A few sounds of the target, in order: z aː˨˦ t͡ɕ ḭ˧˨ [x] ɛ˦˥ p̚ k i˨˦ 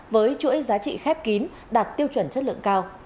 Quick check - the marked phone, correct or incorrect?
correct